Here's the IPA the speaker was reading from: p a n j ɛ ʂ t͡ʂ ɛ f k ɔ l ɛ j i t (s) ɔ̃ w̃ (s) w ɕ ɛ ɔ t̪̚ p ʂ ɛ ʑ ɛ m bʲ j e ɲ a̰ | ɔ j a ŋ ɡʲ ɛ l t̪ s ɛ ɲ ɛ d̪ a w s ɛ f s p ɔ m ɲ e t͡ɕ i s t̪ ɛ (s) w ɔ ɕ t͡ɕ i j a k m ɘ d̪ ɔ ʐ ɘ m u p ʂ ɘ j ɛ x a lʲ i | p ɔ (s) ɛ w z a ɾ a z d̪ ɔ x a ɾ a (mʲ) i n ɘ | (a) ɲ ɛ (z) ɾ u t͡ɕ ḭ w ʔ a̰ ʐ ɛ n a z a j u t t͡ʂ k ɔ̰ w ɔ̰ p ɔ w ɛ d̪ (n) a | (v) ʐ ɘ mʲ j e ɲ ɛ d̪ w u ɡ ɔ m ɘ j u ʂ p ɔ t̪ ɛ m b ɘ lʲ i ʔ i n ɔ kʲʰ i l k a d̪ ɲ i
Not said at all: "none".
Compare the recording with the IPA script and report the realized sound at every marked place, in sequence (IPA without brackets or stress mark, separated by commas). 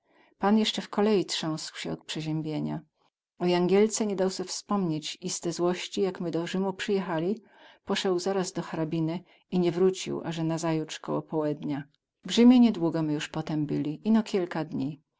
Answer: ʂ, s, z, ʂ, bʲ, i, v, ɲ, v